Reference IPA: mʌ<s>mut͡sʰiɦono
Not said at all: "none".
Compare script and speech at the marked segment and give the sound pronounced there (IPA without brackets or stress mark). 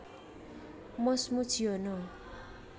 s